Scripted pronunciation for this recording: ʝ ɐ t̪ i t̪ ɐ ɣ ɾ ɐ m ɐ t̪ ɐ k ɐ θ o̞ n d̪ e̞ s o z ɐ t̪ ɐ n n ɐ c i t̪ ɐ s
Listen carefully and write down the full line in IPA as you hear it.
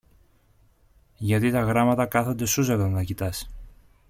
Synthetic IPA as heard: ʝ ɐ t̪ i t̪ ɐ ɣ ɾ ɐ m ɐ t̪ ɐ k ɐ θ o̞ n d̪ e̞ s u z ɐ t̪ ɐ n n ɐ c i t̪ ɐ s